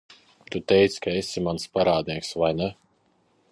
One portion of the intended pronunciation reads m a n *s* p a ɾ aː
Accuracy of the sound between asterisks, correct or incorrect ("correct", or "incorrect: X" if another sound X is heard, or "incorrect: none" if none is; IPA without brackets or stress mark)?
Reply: correct